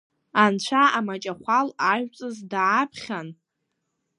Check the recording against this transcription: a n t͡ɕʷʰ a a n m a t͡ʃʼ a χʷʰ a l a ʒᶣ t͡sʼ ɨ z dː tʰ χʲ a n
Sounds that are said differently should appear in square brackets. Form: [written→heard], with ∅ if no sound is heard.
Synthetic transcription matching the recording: a n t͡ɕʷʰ a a [n→∅] m a t͡ʃʼ a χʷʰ a l a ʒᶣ t͡sʼ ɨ z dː [tʰ→pʰ] χʲ a n

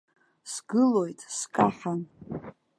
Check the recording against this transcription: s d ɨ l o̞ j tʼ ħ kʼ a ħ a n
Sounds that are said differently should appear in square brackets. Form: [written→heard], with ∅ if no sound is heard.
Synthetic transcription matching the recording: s [d→ɡ] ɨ l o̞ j tʼ [ħ→s] kʼ a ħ a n

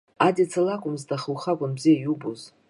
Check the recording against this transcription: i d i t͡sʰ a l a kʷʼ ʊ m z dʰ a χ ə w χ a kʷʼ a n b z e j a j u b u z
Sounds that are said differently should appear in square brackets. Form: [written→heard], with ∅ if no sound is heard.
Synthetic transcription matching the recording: [i→a] d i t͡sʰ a l a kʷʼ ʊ m z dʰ a χ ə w χ a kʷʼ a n b z [e→i] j a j u b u z

